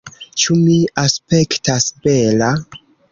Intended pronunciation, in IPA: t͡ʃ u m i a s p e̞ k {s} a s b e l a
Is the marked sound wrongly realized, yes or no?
yes